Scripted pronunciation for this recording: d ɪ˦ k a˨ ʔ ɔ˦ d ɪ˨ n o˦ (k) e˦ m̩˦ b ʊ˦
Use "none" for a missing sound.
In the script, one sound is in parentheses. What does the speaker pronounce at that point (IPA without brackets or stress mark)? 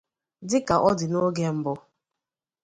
ɡ